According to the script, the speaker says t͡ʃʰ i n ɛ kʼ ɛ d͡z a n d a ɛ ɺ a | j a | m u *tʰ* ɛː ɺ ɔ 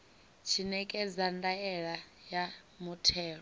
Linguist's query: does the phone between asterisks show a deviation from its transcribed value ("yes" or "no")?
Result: no